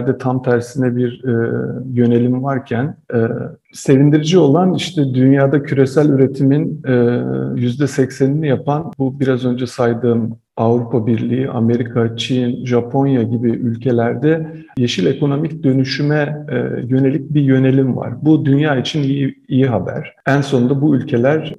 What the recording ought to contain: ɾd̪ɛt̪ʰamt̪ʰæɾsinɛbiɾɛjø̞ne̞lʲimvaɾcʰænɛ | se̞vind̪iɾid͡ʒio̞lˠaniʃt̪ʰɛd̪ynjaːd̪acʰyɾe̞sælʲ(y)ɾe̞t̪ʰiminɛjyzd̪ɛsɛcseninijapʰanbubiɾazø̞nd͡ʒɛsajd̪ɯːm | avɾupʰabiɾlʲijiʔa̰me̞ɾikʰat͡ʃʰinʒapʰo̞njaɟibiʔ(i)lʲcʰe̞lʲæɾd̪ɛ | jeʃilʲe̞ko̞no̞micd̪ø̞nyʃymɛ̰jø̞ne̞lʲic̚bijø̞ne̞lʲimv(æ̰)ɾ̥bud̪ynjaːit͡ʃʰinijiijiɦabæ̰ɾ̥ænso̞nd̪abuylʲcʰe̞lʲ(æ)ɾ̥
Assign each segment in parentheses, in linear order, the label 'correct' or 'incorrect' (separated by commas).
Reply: correct, incorrect, incorrect, correct